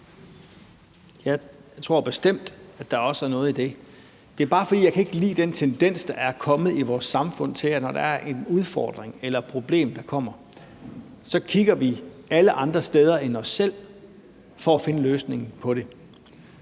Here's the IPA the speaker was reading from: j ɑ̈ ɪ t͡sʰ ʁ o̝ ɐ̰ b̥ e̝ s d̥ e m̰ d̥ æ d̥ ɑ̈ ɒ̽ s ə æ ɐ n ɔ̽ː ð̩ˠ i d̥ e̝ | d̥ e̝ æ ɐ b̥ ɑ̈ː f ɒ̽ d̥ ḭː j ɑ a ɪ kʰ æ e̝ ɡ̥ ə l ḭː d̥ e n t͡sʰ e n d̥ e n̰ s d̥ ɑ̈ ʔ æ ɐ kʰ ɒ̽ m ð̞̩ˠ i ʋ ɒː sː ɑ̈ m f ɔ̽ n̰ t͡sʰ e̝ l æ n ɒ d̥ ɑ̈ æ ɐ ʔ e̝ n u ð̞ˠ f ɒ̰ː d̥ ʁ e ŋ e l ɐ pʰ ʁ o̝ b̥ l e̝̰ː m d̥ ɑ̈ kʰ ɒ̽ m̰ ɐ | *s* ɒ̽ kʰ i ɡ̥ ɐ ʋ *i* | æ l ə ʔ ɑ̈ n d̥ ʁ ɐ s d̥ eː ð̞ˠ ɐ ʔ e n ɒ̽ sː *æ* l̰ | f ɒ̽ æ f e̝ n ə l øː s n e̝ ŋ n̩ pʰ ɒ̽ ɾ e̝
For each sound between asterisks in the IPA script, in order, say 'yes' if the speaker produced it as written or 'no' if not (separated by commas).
yes, yes, no